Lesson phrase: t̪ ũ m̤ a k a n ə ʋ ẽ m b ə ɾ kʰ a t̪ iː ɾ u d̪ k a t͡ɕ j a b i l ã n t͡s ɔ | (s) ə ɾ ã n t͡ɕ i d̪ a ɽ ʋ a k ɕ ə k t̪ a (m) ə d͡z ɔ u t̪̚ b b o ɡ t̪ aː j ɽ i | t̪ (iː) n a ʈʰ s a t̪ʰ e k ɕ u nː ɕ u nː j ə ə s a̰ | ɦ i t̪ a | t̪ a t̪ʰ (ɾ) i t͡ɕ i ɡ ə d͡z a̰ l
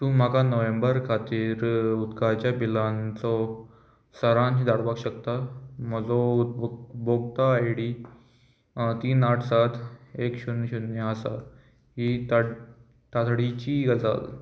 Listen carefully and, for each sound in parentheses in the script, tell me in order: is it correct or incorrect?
correct, correct, correct, incorrect: ɽ

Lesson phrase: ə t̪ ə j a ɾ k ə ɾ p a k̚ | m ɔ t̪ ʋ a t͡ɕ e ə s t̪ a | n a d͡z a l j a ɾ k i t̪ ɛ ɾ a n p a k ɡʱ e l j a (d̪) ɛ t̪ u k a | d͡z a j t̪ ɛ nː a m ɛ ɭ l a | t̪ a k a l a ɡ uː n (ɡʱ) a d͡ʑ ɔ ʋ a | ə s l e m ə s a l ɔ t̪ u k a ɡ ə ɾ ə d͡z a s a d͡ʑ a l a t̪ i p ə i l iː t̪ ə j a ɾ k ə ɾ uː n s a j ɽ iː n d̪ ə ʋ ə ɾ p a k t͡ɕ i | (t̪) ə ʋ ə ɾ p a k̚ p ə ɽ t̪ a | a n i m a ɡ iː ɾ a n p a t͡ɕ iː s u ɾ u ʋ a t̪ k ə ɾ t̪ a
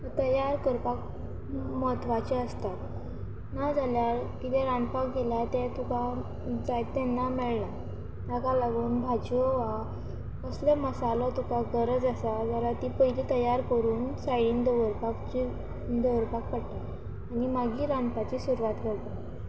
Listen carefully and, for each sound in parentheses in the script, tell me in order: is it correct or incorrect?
incorrect: t̪, incorrect: bʱ, incorrect: d̪

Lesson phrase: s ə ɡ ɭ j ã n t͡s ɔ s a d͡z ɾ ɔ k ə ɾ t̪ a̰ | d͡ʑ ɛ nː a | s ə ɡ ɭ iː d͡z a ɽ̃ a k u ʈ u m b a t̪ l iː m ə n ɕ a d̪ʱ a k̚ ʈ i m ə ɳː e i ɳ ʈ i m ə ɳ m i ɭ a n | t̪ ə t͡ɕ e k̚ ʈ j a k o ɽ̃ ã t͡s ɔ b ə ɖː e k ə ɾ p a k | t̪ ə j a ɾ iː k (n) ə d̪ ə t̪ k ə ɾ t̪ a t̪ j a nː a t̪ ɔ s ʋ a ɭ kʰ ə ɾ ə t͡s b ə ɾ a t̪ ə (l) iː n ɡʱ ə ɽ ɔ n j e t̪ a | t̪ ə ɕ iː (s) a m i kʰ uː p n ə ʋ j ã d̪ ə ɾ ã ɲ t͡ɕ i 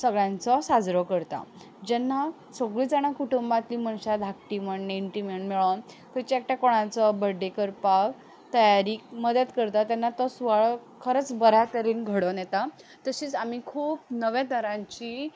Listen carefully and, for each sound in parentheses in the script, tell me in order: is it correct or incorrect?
incorrect: m, incorrect: ɾ, incorrect: t͡s

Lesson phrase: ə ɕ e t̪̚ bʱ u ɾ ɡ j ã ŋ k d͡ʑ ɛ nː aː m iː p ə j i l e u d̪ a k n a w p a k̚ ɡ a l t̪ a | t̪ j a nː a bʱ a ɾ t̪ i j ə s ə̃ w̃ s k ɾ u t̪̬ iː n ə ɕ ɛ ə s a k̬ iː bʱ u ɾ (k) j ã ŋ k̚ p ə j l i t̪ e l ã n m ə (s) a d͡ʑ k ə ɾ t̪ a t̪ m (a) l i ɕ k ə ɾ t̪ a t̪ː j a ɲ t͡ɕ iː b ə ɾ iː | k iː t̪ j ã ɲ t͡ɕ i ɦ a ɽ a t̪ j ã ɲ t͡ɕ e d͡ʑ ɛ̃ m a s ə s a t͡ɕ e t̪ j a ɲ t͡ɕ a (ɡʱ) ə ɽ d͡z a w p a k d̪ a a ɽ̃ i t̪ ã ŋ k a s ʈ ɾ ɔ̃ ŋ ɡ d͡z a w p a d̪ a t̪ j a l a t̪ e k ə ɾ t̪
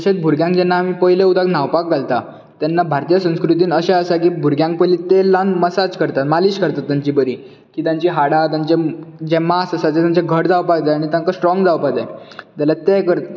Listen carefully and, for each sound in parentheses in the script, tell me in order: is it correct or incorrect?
incorrect: ɡ, correct, correct, correct

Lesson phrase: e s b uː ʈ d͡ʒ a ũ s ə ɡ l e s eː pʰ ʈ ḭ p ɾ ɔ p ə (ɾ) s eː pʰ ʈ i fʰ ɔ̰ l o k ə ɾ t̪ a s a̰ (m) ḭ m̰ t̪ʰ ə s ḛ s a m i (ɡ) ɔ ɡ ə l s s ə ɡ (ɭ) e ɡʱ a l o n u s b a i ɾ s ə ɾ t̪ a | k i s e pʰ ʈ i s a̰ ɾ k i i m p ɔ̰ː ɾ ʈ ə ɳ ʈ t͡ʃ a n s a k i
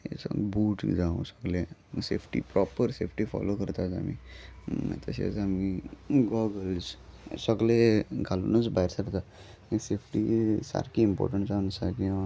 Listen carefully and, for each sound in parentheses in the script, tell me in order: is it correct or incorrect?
correct, correct, correct, incorrect: l

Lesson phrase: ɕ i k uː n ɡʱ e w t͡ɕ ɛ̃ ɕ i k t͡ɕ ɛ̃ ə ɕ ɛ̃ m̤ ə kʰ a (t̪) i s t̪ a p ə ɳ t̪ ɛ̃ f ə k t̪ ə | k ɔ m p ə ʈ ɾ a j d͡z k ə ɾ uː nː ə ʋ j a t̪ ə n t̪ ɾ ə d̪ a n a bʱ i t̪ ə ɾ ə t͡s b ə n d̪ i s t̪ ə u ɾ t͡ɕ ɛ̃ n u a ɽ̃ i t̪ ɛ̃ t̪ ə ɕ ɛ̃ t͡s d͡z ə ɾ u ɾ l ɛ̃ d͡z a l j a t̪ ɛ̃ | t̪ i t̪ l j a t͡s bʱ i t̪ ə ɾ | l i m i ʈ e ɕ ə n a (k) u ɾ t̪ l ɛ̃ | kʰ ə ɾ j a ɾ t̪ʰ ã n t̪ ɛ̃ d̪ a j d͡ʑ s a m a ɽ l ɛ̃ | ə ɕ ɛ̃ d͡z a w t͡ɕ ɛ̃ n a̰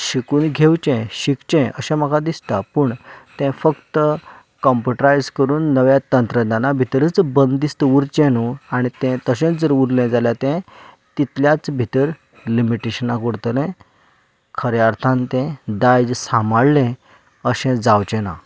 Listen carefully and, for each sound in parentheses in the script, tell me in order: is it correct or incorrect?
incorrect: d̪, correct

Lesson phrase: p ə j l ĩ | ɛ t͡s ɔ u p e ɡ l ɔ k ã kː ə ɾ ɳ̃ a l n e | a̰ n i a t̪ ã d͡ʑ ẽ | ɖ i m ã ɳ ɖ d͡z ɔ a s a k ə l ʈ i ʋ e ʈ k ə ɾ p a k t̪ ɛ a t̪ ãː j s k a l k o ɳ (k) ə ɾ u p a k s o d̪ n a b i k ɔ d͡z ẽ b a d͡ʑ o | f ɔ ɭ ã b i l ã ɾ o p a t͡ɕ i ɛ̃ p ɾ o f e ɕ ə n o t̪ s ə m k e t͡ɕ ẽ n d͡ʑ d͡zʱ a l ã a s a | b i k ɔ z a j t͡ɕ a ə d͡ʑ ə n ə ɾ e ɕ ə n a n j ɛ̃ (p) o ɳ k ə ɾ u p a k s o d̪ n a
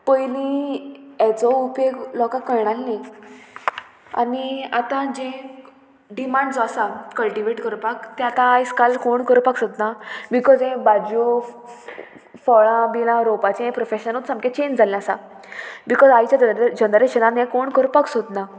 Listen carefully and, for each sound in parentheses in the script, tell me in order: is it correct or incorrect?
correct, incorrect: k

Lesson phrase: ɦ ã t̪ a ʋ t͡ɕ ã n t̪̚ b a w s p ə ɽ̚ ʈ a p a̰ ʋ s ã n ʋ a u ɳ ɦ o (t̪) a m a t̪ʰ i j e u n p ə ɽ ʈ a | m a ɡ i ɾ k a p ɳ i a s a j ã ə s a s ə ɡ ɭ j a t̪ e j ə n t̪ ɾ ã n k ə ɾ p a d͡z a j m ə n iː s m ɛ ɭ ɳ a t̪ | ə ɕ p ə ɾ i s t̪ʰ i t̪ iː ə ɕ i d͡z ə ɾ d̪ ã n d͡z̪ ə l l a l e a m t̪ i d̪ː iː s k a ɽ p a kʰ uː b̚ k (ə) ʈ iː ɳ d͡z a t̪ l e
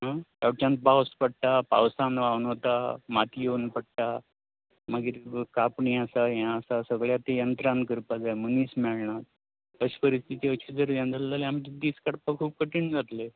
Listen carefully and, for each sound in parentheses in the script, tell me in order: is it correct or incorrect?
correct, correct

